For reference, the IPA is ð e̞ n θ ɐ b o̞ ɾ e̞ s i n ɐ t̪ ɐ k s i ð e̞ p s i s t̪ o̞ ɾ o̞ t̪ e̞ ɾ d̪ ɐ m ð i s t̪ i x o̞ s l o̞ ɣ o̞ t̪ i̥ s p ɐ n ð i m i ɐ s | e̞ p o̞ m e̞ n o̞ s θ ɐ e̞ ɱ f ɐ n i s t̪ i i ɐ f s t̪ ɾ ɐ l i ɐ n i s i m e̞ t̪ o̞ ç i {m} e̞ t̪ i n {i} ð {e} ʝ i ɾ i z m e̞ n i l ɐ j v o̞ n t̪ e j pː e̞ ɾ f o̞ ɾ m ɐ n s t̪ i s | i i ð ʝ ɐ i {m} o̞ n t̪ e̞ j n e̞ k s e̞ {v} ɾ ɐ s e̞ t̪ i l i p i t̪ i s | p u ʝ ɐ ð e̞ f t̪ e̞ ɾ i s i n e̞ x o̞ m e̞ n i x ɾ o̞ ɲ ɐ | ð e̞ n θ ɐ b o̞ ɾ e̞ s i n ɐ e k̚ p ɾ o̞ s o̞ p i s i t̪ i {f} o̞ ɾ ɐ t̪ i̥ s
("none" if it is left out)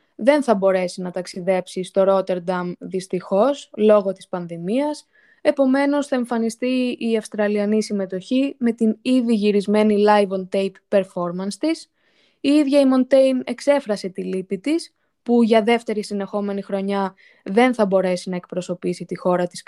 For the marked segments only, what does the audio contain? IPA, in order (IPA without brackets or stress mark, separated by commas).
m, i, i, m, f, x